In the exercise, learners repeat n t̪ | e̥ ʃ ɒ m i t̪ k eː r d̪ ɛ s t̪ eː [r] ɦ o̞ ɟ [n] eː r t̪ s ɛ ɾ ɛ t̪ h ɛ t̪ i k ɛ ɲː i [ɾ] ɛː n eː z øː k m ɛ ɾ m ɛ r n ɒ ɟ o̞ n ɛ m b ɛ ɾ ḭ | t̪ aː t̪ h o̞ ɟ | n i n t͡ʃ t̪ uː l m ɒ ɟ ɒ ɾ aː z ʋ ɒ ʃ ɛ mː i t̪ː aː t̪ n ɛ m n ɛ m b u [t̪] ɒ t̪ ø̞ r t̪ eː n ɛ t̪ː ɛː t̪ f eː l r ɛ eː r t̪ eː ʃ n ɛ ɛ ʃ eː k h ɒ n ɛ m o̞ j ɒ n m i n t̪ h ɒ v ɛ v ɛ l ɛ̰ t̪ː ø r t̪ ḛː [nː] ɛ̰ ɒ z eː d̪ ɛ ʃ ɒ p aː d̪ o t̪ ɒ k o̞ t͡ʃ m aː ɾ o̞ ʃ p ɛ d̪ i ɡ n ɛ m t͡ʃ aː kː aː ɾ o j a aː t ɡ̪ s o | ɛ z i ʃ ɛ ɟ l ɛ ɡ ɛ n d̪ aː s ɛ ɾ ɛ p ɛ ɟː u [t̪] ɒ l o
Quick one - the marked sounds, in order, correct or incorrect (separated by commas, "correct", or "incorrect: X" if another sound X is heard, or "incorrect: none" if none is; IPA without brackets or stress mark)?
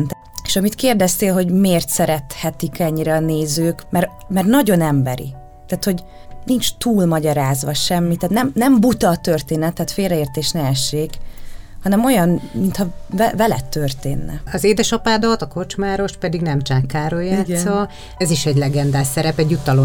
incorrect: l, incorrect: m, correct, correct, correct, correct